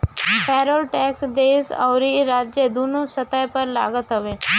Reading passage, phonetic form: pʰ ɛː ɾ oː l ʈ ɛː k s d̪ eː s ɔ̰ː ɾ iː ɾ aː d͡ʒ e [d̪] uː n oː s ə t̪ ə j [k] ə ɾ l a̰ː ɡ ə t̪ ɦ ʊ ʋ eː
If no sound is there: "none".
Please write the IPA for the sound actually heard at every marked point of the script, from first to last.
d̪, p

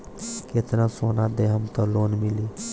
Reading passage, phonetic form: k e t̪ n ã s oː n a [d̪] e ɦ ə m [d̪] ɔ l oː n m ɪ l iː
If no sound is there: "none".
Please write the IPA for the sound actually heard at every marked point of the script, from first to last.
d̪, t̪

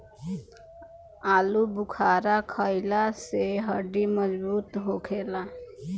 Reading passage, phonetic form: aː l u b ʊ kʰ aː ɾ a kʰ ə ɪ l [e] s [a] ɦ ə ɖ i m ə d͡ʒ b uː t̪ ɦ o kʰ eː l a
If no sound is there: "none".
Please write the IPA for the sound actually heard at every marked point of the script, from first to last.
a, e

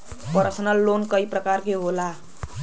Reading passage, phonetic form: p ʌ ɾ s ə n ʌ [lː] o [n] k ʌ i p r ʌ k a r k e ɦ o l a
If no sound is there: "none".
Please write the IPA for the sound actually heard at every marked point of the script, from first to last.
lː, n

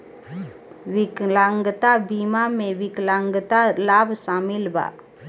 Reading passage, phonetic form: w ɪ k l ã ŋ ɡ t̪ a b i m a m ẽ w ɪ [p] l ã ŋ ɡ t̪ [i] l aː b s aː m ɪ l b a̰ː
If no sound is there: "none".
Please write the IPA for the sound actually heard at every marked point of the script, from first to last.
k, a

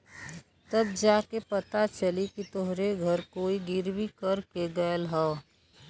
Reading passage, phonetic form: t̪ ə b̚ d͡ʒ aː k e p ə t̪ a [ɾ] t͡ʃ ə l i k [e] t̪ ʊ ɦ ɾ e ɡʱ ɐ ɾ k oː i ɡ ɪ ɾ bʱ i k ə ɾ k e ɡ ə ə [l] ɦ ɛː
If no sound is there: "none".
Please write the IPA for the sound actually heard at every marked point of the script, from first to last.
none, i, l

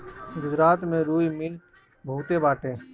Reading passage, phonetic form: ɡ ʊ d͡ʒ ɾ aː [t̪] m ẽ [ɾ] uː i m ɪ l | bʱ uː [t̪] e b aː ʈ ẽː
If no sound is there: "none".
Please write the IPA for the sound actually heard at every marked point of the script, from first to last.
t̪, ɾ, t̪

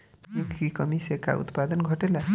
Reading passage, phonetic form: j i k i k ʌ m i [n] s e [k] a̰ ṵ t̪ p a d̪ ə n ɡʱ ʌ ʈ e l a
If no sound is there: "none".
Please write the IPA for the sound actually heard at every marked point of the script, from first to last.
none, k

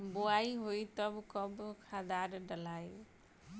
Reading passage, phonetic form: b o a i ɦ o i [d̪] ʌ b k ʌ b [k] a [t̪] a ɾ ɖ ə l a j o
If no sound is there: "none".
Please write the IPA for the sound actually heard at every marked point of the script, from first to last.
t̪, kʰ, d̪

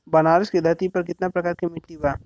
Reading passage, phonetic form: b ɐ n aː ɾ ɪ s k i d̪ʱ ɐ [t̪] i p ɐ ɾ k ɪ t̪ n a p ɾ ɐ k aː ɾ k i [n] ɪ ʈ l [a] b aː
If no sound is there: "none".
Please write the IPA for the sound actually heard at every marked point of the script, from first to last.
t̪, m, i

